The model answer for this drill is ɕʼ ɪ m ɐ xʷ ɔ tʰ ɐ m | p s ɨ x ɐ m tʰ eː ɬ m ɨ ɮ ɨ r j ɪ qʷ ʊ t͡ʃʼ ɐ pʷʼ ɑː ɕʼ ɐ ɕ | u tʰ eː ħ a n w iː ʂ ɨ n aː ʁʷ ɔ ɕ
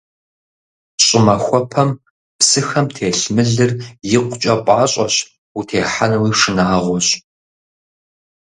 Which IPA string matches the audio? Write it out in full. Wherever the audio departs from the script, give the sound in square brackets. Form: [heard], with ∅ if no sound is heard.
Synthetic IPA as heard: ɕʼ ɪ m ɐ xʷ ɔ [pʰ] ɐ m | p s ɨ x ɐ m tʰ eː ɬ m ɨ ɮ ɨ r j ɪ qʷ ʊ t͡ʃʼ ɐ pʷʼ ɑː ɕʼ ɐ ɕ | u tʰ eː ħ a n w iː ʂ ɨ n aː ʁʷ ɔ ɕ